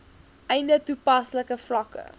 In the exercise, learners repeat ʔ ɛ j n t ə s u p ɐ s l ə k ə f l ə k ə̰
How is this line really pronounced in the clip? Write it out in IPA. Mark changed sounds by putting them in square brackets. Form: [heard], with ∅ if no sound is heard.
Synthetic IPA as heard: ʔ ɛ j n [d] ə [t] u p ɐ s l ə k ə f l [ɐ] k ə̰